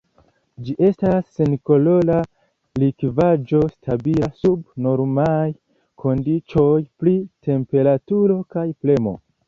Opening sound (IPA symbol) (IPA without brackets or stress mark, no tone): d͡ʒ